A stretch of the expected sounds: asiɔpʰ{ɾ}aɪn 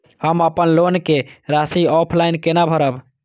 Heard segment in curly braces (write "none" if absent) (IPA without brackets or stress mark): l